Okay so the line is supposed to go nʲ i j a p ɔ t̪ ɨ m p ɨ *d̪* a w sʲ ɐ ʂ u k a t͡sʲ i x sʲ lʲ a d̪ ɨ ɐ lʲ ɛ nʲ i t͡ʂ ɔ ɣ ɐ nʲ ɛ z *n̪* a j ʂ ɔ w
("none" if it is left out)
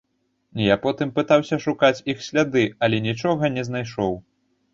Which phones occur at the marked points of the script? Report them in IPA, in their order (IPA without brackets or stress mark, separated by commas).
t̪, n̪